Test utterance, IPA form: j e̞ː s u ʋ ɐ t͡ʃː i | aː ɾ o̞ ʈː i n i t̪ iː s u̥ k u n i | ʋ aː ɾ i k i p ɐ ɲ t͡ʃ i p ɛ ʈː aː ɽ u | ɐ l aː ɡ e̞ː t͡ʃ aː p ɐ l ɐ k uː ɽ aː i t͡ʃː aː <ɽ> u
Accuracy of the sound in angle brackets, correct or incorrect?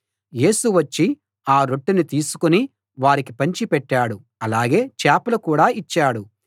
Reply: correct